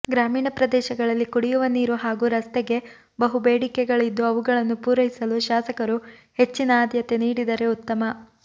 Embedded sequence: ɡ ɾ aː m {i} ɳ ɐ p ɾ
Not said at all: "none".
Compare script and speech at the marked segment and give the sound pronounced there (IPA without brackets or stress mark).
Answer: iː